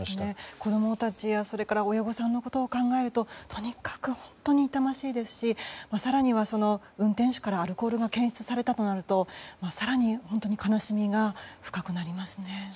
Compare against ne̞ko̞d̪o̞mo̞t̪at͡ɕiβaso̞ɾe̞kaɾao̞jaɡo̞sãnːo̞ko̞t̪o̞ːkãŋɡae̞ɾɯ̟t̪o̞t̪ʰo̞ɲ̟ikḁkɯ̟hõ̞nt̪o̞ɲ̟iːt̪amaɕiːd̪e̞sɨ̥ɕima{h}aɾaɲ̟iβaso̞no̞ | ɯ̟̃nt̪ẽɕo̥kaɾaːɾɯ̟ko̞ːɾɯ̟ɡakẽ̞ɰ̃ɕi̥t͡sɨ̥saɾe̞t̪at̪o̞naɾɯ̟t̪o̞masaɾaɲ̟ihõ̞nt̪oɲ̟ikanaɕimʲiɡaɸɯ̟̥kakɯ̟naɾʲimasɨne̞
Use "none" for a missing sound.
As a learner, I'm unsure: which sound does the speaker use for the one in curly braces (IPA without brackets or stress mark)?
s